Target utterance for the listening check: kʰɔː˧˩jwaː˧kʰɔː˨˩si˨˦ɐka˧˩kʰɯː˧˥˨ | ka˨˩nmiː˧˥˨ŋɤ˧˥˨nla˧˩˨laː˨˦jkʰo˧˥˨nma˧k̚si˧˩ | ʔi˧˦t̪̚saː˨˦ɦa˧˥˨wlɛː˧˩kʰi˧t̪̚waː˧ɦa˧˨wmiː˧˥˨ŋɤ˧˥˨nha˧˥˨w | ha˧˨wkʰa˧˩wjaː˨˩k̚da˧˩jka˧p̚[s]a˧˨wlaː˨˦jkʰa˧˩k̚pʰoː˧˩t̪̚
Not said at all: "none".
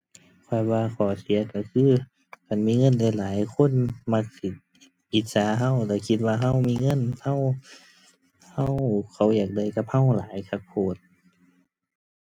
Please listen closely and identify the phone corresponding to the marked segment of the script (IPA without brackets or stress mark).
h